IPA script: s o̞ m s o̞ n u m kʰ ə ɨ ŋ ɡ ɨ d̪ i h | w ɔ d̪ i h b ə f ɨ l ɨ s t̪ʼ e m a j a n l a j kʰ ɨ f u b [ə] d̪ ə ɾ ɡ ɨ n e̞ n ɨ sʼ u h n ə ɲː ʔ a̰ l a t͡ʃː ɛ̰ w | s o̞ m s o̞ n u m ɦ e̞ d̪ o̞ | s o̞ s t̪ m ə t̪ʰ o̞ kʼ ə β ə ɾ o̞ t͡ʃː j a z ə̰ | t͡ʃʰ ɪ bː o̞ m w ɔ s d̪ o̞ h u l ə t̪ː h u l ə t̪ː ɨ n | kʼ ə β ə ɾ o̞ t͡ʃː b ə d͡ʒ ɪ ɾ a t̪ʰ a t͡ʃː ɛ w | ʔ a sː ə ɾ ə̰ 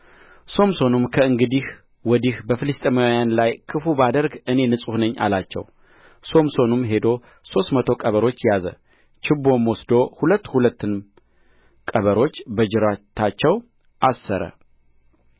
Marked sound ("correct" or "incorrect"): incorrect